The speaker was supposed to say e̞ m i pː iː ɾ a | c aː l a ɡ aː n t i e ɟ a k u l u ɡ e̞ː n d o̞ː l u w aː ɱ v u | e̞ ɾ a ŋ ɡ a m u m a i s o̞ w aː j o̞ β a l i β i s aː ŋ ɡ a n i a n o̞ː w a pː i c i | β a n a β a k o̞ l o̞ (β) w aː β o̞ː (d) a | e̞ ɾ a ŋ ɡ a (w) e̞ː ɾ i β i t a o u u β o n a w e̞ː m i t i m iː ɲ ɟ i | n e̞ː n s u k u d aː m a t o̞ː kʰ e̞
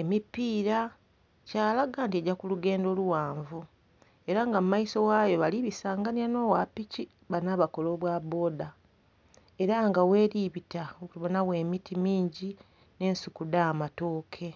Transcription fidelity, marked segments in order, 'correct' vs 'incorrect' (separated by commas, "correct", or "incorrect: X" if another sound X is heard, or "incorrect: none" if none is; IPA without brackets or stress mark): correct, correct, correct